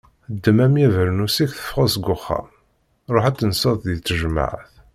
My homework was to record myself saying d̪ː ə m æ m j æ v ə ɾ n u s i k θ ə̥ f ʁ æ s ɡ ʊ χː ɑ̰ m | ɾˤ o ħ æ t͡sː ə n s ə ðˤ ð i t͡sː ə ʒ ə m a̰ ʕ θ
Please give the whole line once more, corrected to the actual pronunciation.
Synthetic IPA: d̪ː ə m æ m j æ v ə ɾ n u s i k θ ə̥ f ʁ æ s ɡ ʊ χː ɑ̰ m | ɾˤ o ħ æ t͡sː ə n s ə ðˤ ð i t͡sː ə ʒ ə m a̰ ʕ θ